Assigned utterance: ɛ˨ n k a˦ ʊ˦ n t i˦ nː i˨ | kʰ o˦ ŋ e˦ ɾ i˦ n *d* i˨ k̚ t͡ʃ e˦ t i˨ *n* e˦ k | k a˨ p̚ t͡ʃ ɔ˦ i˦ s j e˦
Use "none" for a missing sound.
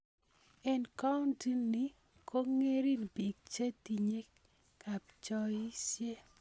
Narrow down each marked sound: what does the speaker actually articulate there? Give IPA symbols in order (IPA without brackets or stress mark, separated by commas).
b, ɲ